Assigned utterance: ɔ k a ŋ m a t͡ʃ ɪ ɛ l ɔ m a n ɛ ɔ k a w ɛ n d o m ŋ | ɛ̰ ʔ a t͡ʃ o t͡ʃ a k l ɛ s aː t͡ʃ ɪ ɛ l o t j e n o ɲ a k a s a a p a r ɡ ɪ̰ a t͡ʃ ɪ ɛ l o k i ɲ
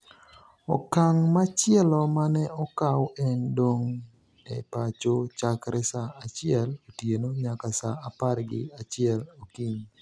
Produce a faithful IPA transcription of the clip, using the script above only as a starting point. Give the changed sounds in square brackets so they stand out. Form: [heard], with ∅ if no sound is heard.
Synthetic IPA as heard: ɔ k a ŋ m a t͡ʃ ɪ ɛ l ɔ m a n ɛ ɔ k a w ɛ n d o [∅] ŋ | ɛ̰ [p] a t͡ʃ o t͡ʃ a k [ɾ] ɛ s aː t͡ʃ ɪ ɛ l o t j e n o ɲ a k a s a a p a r ɡ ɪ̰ a t͡ʃ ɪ ɛ l o k i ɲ

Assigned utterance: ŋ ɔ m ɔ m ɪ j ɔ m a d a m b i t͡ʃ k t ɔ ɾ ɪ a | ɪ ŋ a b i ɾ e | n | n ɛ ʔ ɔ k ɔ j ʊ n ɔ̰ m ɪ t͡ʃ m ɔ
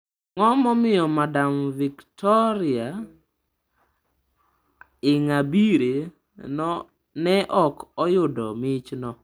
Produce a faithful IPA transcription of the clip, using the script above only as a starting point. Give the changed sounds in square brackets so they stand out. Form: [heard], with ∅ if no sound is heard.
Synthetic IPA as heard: ŋ ɔ m ɔ m ɪ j ɔ m a d a m [v] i [∅] k t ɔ ɾ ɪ a | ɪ ŋ a b i ɾ e | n | n ɛ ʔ ɔ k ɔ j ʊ [d] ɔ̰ m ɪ t͡ʃ [n] ɔ

